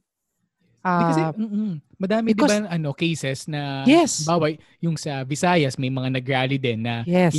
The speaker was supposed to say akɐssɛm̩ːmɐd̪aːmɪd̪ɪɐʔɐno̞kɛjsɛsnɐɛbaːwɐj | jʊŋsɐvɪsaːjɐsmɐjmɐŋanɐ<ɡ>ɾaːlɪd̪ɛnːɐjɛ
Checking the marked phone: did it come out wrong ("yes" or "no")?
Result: no